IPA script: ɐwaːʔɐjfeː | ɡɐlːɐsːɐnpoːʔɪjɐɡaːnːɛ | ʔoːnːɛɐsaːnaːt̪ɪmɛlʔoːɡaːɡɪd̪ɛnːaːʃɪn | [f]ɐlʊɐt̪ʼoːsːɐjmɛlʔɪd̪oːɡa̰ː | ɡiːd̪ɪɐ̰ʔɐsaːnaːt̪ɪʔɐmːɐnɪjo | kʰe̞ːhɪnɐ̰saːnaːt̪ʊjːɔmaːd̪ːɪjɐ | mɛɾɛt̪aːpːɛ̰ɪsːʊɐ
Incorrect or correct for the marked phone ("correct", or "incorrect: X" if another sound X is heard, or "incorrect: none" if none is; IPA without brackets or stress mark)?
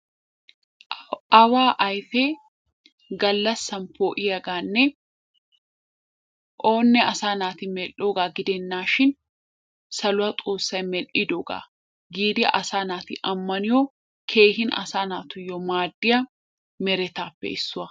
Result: incorrect: s